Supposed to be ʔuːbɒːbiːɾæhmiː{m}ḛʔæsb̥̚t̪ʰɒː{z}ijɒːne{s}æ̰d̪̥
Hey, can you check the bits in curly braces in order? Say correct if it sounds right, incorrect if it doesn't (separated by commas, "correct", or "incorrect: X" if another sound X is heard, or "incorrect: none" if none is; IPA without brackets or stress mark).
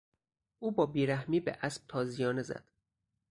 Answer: incorrect: b, correct, incorrect: z